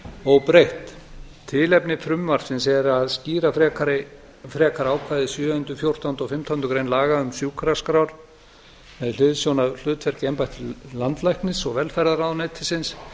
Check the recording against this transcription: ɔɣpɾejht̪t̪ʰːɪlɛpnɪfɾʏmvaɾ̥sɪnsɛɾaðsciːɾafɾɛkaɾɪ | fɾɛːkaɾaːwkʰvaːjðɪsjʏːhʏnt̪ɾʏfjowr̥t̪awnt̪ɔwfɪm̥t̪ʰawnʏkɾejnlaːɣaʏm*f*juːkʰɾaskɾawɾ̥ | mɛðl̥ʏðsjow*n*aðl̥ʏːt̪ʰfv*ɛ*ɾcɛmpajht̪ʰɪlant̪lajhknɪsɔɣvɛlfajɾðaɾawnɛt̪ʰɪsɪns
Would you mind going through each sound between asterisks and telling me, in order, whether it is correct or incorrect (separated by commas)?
incorrect, correct, correct